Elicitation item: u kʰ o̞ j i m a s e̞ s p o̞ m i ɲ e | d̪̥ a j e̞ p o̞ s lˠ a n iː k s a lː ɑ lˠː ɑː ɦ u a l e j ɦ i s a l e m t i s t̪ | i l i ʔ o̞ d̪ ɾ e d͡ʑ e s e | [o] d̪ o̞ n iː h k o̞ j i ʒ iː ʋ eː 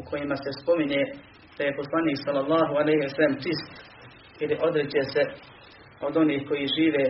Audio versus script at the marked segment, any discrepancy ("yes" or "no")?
no